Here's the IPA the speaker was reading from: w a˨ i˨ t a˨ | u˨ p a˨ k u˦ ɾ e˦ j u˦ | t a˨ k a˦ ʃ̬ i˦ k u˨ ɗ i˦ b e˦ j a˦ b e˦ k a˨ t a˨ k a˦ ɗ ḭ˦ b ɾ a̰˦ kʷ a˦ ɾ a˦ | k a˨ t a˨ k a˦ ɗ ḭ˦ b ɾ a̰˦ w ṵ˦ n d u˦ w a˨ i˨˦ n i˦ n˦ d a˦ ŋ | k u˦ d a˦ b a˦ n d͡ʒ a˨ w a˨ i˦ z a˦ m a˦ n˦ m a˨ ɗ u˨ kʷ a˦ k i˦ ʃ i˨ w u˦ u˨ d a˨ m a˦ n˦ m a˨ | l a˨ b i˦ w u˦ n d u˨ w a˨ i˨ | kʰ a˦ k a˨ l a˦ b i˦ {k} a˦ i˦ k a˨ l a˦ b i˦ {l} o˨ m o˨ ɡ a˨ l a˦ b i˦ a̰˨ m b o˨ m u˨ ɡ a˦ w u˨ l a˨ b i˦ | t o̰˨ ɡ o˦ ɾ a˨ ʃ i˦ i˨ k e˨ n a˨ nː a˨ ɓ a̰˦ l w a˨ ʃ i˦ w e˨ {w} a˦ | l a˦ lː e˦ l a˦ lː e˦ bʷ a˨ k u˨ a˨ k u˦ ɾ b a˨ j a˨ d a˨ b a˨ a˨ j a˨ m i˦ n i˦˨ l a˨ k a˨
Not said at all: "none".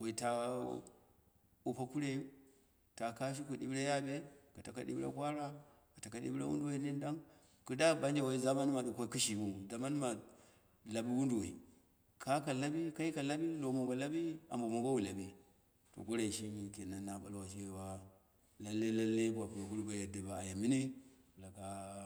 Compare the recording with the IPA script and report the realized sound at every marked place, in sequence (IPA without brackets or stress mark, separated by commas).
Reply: k, l, w